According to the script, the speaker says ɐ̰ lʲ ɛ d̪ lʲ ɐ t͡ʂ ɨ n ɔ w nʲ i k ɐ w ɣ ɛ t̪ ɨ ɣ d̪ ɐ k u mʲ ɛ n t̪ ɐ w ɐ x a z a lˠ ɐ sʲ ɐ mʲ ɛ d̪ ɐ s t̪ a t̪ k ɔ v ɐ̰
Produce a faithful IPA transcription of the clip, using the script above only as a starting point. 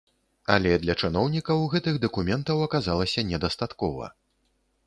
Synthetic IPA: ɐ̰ lʲ ɛ d̪ lʲ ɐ t͡ʂ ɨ n ɔ w nʲ i k ɐ w ɣ ɛ t̪ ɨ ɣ d̪ ɐ k u mʲ ɛ n t̪ ɐ w ɐ k a z a lˠ ɐ sʲ ɐ nʲ ɛ d̪ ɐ s t̪ a t̪ k ɔ v ɐ̰